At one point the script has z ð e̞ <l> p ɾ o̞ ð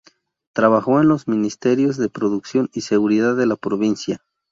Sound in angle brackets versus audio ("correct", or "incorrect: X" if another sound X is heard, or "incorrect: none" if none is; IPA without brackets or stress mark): incorrect: none